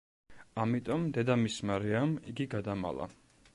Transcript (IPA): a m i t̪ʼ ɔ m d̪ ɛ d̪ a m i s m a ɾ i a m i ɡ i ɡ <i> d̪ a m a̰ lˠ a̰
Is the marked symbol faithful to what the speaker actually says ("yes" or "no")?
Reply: no